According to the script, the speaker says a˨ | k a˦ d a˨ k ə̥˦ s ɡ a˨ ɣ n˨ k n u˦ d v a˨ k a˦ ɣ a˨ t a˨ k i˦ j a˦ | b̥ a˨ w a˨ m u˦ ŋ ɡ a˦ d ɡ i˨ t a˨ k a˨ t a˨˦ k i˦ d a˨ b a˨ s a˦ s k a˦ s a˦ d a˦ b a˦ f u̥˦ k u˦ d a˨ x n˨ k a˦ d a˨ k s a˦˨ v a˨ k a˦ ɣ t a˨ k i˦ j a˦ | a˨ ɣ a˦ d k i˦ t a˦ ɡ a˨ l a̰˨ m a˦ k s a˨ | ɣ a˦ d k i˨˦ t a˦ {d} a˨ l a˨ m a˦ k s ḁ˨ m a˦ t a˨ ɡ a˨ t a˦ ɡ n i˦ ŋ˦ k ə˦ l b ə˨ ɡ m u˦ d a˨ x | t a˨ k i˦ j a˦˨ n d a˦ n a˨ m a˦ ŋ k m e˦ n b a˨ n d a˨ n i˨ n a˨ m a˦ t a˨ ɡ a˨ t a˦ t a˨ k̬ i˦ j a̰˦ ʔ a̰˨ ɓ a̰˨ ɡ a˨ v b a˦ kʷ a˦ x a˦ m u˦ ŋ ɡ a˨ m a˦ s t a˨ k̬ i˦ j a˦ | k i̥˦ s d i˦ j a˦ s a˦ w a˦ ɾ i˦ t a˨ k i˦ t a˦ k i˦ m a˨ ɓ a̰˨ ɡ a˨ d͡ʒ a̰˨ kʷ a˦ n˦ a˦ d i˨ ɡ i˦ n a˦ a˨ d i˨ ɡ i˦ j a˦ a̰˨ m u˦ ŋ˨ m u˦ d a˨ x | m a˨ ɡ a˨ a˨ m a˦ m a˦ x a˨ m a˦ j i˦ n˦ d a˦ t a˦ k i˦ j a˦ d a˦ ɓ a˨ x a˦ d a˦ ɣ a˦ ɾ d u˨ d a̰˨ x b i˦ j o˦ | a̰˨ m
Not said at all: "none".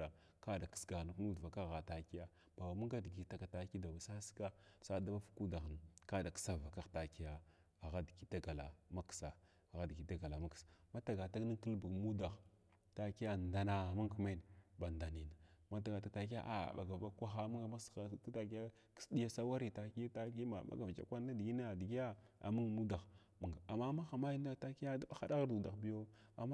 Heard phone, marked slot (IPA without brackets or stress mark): ɡ